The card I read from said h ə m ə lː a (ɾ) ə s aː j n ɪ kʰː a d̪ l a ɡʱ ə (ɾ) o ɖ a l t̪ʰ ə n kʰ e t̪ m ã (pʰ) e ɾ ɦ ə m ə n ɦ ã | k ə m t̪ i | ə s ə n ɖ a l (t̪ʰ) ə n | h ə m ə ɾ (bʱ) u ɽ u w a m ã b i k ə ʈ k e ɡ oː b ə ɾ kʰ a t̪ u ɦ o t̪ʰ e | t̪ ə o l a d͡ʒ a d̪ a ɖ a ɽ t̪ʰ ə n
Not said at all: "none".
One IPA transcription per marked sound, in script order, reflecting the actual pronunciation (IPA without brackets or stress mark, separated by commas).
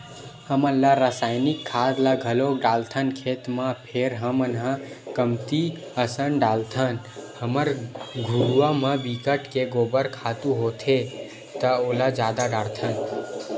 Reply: ɾ, l, pʰ, t̪ʰ, ɡʱ